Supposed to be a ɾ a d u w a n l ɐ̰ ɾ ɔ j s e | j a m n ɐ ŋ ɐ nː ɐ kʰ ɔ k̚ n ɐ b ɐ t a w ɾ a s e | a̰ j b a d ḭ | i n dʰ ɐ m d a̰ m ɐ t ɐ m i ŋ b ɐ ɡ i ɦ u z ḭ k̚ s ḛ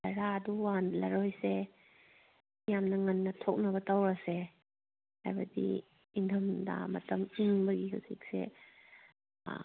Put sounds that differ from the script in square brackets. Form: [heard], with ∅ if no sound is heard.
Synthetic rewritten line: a ɾ a d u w a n l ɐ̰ ɾ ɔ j s e | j a m n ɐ ŋ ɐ nː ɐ [tʰ] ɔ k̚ n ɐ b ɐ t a w ɾ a s e | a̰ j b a d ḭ | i n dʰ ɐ m d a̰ m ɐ t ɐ m i ŋ b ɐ ɡ i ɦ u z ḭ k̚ s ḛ